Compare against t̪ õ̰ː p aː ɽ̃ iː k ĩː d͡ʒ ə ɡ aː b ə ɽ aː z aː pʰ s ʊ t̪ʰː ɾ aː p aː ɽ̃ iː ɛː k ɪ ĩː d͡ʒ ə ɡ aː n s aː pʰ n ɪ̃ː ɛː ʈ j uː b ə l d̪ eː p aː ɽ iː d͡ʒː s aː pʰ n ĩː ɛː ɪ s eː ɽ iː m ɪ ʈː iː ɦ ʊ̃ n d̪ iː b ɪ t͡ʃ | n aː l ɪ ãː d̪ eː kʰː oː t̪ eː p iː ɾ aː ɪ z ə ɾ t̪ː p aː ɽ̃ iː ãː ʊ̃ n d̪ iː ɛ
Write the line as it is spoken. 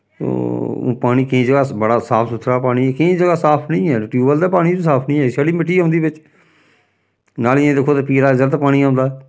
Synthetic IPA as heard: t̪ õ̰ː p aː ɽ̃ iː k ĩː d͡ʒ ə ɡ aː b ə ɽ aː s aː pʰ s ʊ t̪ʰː ɾ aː p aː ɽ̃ iː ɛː k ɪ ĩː d͡ʒ ə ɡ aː s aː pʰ n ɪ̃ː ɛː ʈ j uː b ə l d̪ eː p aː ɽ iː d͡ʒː s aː pʰ n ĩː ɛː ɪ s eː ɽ iː m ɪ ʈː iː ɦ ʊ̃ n d̪ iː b ɪ t͡ʃ | n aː l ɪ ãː d̪ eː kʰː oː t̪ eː p iː ɾ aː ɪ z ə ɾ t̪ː p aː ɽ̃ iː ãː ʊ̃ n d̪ aː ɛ